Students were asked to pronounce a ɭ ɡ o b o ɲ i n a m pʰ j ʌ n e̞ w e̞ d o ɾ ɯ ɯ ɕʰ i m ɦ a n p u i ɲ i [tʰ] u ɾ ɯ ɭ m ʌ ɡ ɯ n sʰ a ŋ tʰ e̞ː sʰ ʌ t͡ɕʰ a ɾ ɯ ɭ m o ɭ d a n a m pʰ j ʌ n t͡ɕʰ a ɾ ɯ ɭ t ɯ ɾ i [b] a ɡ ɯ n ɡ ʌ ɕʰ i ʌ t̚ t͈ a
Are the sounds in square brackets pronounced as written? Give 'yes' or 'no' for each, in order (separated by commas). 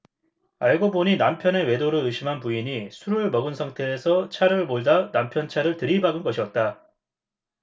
no, yes